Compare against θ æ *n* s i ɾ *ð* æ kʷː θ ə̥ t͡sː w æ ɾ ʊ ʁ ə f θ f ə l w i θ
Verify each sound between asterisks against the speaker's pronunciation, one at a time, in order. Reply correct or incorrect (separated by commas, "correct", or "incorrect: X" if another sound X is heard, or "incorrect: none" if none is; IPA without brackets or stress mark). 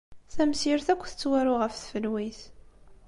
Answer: incorrect: m, incorrect: θ